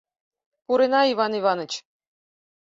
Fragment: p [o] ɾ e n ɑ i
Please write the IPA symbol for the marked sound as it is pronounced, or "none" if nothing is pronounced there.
u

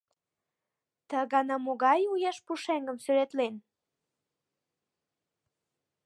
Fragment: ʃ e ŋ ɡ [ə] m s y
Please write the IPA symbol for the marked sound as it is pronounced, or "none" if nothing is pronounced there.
ə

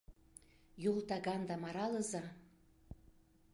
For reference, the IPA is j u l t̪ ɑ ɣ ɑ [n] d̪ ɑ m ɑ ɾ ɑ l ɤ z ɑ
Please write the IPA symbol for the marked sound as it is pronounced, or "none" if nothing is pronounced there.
n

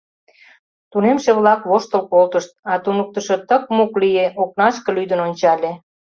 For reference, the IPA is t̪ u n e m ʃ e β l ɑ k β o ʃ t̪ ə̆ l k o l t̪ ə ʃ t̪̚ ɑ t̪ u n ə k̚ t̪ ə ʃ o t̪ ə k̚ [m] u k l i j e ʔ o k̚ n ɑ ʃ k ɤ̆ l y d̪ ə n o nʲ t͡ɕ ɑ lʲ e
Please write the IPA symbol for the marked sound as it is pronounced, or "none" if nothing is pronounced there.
m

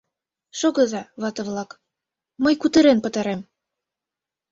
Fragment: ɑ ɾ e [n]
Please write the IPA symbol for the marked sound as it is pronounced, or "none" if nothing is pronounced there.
m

